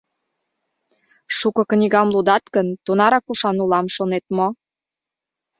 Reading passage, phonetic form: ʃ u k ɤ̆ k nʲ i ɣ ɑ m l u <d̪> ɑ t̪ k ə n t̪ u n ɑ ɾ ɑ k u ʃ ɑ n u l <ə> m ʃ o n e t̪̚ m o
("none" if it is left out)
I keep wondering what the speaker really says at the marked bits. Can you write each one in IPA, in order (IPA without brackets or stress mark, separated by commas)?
d̪, ɑ